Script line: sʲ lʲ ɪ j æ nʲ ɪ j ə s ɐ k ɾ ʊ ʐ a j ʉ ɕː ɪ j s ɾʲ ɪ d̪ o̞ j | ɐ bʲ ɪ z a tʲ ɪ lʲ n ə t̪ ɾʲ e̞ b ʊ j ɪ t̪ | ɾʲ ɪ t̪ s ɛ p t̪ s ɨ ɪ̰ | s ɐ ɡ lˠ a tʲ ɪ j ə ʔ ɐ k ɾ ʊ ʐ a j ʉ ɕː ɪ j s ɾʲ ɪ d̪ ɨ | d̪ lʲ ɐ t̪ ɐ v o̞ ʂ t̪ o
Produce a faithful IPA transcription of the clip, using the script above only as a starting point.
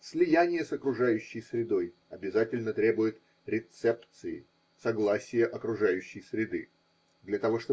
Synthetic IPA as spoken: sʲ lʲ ɪ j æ nʲ ɪ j ə s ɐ k ɾ ʊ ʐ a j ʉ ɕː ɪ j s ɾʲ ɪ d̪ o̞ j | ɐ bʲ ɪ z a tʲ ɪ lʲ n ə t̪ ɾʲ e̞ b ʊ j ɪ t̪ | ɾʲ ɪ t̪ s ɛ p t̪ s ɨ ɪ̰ | s ɐ ɡ lˠ a sʲ ɪ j ə ʔ ɐ k ɾ ʊ ʐ a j ʉ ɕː ɪ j s ɾʲ ɪ d̪ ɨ | d̪ lʲ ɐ t̪ ɐ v o̞ ʂ t̪ o